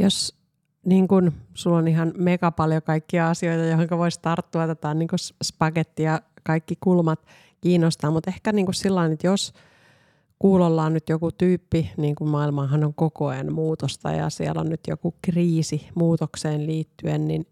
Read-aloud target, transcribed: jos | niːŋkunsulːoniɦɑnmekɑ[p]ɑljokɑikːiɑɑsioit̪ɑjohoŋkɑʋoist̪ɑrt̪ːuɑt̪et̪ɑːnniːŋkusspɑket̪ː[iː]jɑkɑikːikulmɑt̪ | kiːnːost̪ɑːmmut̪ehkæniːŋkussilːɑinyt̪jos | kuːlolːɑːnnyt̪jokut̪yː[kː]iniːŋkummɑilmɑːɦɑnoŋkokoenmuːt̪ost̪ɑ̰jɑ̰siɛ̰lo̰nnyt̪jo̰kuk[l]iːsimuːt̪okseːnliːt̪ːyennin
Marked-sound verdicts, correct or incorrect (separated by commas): correct, incorrect, incorrect, incorrect